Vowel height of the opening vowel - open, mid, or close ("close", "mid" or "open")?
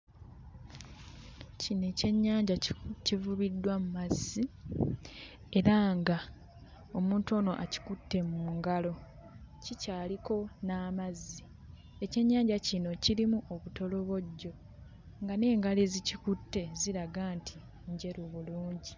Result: close